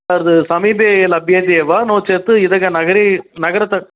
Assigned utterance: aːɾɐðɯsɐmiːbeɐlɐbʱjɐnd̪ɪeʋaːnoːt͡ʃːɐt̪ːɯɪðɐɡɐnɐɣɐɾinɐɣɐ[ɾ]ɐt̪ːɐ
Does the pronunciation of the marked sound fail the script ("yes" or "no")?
no